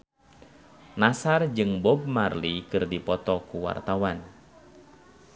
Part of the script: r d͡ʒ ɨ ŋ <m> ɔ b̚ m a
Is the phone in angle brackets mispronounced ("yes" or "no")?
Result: yes